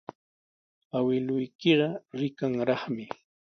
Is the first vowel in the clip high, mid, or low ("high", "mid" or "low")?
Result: low